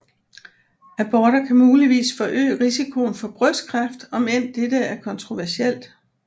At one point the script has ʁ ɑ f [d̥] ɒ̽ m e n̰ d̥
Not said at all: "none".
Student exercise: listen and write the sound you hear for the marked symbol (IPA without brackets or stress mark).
d̥